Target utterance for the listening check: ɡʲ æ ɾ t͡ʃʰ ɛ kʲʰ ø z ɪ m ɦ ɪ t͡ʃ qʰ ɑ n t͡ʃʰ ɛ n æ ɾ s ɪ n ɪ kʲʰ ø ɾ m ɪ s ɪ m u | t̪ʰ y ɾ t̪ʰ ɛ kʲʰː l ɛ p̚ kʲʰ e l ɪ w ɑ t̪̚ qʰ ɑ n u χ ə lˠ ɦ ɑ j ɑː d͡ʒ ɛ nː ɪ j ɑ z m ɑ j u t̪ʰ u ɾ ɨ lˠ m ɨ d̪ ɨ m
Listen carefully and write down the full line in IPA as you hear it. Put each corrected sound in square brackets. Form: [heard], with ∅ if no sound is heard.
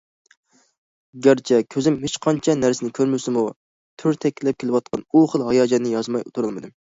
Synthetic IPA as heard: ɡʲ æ ɾ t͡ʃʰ ɛ kʲʰ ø z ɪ m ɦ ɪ t͡ʃ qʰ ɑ n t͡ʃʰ ɛ n æ ɾ s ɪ n ɪ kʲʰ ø ɾ m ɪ s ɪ m u | t̪ʰ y ɾ t̪ʰ ɛ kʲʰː l ɛ p̚ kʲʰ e l ɪ w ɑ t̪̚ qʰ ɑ n u χ ə lˠ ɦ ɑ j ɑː d͡ʒ ɛ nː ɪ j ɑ z m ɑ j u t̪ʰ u ɾ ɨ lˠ m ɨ d̪ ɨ m